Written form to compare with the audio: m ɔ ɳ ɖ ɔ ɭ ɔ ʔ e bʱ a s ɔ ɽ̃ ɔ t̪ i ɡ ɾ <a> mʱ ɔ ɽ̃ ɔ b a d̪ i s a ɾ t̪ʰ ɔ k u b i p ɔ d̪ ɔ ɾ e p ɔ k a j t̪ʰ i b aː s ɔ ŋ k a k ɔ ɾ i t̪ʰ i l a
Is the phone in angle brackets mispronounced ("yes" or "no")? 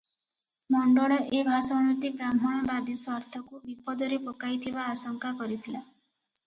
no